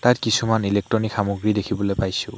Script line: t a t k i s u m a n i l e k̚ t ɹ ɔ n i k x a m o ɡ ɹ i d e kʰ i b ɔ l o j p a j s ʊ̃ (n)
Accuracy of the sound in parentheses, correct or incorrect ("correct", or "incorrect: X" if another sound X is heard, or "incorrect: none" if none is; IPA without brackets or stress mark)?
incorrect: none